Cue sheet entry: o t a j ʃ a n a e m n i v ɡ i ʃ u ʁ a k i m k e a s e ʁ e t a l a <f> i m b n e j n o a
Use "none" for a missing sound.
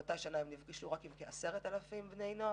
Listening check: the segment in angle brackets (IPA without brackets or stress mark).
f